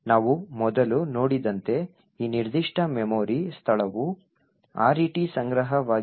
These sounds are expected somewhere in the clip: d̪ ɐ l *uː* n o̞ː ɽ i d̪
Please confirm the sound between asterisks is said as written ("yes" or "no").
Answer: no